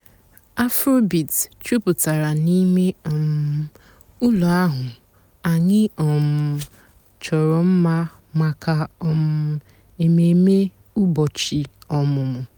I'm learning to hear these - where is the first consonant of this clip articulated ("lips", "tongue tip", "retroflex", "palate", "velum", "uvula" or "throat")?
lips